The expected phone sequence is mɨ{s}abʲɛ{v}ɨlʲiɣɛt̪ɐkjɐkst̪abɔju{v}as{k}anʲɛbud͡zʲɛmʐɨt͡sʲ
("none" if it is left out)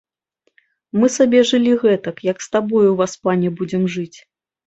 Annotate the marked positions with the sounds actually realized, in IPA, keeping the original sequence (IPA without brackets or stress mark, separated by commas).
s, ʐ, v, p